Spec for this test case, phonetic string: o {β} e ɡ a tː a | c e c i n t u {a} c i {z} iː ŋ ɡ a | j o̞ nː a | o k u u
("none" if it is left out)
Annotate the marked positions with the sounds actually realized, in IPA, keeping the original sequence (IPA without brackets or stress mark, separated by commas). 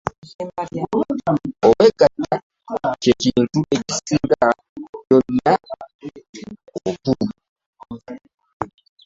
w, e, s